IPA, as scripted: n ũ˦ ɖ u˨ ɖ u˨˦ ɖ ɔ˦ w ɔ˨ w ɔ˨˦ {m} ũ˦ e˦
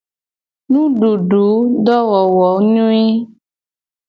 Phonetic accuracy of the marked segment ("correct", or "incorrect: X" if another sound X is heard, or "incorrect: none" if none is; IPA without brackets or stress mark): incorrect: ɲ